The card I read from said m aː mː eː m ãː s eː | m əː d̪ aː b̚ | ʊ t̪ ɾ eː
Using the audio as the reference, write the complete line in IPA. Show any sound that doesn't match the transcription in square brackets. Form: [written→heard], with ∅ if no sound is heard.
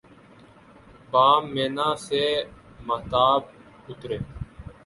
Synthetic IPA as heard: [m→b] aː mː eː [m→n] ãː s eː | m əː [d̪→t̪] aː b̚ | ʊ t̪ ɾ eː